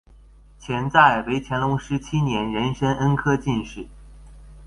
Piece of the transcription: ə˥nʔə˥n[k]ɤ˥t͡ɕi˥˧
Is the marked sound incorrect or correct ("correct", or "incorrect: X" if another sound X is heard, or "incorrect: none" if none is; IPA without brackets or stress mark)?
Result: incorrect: kʰ